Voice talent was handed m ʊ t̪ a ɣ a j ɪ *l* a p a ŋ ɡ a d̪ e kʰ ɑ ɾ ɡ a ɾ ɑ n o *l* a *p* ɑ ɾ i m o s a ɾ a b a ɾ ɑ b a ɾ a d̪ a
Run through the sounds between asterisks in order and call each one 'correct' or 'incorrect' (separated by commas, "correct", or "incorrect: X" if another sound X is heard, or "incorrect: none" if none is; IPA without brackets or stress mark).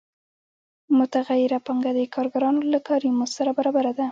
incorrect: ɾ, correct, incorrect: k